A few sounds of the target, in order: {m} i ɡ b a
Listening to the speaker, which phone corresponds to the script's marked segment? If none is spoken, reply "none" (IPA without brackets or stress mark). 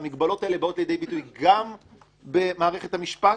m